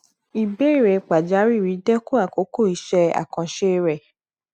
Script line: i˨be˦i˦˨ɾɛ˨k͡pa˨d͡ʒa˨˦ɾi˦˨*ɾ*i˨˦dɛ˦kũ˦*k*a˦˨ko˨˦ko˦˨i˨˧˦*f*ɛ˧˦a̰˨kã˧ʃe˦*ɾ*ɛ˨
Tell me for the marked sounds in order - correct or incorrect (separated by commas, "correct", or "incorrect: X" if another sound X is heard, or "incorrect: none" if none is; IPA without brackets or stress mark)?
correct, incorrect: none, incorrect: ʃ, correct